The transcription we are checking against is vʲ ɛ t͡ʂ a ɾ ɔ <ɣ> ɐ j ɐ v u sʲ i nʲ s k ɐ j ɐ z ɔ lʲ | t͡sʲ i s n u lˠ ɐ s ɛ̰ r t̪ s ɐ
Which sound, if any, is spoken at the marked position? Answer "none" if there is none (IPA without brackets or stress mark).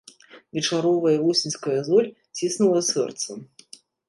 v